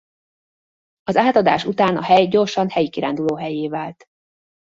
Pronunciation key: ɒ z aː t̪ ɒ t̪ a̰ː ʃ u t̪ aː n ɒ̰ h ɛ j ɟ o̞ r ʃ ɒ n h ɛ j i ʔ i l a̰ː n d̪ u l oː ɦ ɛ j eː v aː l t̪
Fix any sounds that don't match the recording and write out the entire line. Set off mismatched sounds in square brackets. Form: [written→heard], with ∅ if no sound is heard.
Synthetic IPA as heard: ɒ z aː t̪ ɒ [t̪→d̪] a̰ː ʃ u t̪ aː n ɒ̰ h ɛ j ɟ o̞ r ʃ ɒ n h ɛ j i [ʔ→k] i [l→ɾ] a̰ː n d̪ u l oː ɦ ɛ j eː v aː l t̪